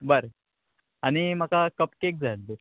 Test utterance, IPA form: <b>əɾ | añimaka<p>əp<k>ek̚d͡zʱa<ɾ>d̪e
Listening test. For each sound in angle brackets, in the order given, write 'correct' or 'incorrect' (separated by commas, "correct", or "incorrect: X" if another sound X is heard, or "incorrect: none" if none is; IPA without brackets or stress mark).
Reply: correct, incorrect: k, correct, incorrect: l